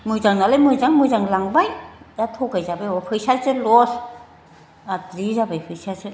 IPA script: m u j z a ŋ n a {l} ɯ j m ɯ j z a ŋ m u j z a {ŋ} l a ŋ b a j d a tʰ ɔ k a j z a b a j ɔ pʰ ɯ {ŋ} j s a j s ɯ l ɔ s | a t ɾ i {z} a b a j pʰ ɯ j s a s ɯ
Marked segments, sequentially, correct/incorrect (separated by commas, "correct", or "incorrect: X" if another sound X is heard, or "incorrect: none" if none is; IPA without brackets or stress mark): correct, correct, incorrect: none, correct